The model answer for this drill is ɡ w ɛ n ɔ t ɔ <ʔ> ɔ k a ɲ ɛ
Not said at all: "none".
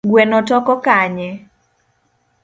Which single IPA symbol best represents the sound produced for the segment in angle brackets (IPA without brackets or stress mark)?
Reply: k